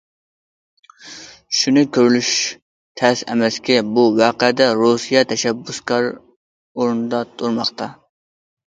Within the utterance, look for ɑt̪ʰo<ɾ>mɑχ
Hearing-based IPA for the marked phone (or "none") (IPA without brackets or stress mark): ɾ